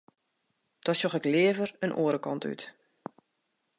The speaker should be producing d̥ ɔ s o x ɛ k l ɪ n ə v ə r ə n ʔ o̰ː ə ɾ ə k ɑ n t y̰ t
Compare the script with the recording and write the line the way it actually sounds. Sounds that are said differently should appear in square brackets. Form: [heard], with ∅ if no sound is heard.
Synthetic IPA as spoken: d̥ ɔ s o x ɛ k l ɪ [∅] ə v ə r ə n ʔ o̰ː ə ɾ ə k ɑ n t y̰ t